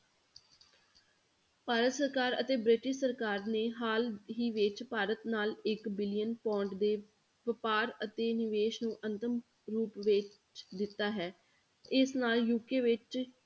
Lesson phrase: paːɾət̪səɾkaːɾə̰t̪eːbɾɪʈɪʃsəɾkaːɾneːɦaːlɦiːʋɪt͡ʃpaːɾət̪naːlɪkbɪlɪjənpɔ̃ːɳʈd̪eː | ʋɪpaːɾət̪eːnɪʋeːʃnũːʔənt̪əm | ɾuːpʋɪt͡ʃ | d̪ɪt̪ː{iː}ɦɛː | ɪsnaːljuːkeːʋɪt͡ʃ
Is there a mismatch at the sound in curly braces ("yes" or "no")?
yes